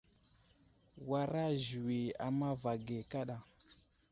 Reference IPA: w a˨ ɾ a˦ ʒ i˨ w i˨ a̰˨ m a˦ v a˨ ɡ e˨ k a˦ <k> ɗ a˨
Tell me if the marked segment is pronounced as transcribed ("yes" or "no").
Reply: no